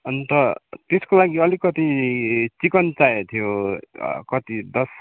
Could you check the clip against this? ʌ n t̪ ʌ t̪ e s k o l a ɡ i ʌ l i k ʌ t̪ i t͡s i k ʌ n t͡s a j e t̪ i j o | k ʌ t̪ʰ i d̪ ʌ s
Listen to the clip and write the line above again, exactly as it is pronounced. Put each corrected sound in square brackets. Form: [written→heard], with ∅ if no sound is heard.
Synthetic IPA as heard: ʌ n t̪ ʌ t̪ e s k o l a ɡ i ʌ l i k ʌ t̪ i t͡s i k ʌ n t͡s a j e [t̪→t̪ʰ] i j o | k ʌ [t̪ʰ→t̪] i d̪ ʌ s